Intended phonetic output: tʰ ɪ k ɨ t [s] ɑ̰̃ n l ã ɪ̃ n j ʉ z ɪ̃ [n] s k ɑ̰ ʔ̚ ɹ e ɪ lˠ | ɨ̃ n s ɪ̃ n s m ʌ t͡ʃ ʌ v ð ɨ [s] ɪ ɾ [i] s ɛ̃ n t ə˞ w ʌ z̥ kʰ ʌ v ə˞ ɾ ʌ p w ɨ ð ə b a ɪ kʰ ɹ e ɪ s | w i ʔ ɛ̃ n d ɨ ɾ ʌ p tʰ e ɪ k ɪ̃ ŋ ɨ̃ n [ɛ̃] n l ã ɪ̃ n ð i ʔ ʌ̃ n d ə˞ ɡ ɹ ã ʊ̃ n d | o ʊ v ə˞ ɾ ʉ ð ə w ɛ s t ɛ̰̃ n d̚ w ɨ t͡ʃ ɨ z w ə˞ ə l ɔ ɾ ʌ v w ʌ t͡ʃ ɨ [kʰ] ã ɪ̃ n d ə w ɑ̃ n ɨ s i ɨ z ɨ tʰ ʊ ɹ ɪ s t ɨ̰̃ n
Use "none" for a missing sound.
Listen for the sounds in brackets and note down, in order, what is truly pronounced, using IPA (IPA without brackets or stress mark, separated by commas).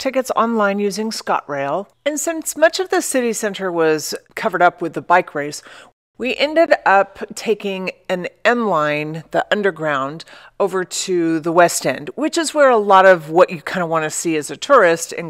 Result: s, ŋ, s, i, ɛ̃, kʰ